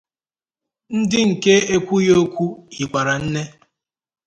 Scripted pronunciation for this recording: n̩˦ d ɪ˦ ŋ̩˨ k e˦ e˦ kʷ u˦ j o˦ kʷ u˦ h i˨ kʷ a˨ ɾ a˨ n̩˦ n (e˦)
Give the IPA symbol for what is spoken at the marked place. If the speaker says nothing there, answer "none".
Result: e˦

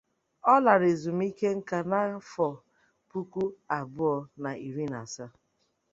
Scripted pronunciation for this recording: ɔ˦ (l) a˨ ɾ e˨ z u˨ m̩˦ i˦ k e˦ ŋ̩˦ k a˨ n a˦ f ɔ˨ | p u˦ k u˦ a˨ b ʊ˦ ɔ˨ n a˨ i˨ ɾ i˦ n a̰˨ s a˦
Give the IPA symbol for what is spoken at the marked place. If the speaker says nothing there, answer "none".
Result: l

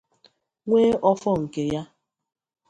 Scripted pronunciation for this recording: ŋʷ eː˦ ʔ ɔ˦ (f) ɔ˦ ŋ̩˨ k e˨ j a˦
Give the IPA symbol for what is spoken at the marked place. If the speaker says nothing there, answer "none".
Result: f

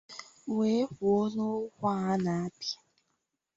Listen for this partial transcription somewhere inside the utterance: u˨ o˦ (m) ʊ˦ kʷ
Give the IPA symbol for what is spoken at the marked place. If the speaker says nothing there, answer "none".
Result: n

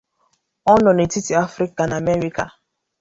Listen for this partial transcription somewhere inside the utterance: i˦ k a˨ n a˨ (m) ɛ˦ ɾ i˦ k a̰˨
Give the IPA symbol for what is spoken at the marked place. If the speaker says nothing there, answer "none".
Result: m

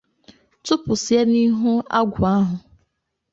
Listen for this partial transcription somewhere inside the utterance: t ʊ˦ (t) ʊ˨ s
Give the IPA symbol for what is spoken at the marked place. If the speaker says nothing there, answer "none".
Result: p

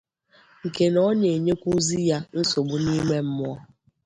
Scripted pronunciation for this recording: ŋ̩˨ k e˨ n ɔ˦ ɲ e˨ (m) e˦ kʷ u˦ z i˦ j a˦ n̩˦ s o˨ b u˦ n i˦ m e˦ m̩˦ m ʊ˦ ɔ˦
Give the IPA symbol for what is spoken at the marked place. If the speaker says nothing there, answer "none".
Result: ɲ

